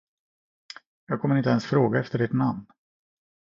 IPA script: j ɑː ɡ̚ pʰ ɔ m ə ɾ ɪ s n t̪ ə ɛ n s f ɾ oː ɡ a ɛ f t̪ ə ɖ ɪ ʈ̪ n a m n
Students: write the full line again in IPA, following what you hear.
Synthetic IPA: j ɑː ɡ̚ kʰ ɔ m ə ɾ ɪ n t̪ ə ɛ n s f ɾ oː ɡ a ɛ f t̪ ə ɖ ɪ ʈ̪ n a m n

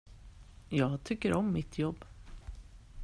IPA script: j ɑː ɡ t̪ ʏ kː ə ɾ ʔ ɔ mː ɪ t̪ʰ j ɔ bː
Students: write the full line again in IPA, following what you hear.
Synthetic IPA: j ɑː ɡ t̪ʰ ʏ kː ə ɾ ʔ ɔ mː ɪ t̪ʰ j ɔ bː

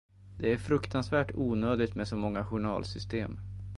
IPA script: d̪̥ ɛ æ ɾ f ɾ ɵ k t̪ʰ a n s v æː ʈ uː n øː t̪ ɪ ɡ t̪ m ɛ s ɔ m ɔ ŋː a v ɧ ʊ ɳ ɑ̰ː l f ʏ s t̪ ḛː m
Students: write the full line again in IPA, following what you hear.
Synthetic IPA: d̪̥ ɛ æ ɾ f ɾ ɵ k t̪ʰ a n s v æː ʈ uː n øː d̪ ɪ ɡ t̪ m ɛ s ɔ m ɔ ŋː a ɧ ʊ ɳ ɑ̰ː l s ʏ s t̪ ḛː m

